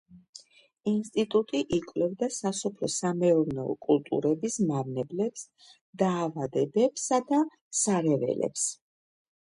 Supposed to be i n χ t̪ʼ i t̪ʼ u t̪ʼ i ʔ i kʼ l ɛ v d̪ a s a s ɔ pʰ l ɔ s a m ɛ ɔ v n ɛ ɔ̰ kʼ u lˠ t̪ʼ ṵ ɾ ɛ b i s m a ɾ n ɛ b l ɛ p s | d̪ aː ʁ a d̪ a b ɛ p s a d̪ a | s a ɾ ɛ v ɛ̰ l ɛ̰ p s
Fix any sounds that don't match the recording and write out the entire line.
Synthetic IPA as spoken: i n s t̪ʼ i t̪ʼ u t̪ʼ i ʔ i kʼ l ɛ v d̪ a s a s ɔ pʰ l ɔ s a m ɛ ɔ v n ɛ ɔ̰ kʼ u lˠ t̪ʼ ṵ ɾ ɛ b i s m a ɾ n ɛ b l ɛ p s | d̪ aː v a d̪ ɛ b ɛ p s a d̪ a | s a ɾ ɛ v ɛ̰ l ɛ̰ p s